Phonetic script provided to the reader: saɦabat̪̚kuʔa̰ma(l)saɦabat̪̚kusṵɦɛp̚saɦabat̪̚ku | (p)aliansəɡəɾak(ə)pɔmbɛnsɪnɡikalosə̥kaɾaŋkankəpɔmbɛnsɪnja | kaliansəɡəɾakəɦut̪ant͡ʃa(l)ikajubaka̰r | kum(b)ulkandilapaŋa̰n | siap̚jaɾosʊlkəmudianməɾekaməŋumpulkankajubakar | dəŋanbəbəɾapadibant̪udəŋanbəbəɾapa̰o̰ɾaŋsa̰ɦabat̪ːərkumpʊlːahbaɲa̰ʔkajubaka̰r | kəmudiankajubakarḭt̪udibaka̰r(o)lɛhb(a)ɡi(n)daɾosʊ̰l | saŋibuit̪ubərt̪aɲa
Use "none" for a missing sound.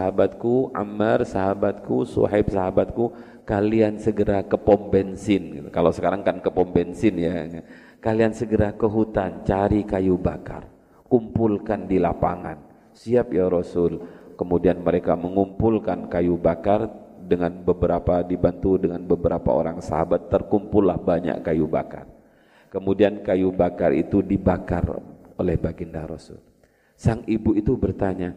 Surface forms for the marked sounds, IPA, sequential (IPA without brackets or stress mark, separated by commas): r, k, ə, ɾ, p, o, a, n